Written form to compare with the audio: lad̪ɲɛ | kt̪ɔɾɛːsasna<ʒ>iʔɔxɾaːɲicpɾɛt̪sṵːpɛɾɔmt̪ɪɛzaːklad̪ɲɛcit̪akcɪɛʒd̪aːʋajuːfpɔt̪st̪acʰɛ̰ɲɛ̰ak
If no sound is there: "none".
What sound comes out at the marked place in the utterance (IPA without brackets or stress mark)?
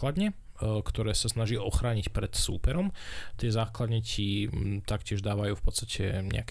ʒ